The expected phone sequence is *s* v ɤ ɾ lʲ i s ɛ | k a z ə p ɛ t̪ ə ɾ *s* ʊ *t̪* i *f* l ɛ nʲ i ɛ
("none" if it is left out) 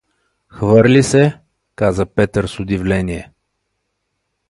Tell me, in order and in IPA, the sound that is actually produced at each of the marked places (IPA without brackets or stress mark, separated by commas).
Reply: x, s, d̪, v